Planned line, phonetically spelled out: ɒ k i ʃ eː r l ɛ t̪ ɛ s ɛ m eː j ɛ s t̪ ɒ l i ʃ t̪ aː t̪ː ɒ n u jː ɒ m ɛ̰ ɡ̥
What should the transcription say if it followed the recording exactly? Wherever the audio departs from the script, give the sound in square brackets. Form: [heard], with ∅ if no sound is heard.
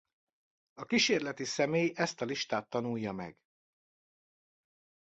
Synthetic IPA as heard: ɒ k i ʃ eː r l ɛ t̪ [i] s ɛ m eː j ɛ s t̪ ɒ l i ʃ t̪ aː t̪ː ɒ n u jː ɒ m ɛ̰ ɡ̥